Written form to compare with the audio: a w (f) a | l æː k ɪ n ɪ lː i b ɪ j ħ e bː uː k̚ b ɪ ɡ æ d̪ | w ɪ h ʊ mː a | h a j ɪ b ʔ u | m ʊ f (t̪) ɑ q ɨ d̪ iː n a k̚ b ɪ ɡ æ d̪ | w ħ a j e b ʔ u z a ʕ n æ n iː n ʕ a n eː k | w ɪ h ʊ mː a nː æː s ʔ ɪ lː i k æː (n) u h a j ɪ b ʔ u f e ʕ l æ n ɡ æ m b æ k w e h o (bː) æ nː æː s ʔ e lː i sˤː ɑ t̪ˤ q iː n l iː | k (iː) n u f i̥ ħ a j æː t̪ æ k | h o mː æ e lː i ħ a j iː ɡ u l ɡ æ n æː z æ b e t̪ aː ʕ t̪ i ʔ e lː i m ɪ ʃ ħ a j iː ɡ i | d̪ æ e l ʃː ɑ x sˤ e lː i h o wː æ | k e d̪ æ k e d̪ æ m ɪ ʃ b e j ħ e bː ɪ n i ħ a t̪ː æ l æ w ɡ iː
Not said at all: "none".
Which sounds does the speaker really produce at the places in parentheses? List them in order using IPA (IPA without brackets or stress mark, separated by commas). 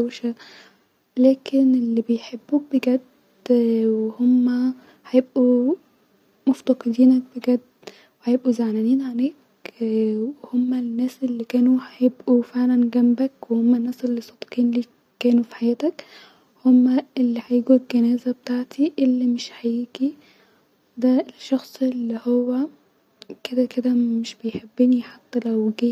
ʃ, t̪, n, mː, æː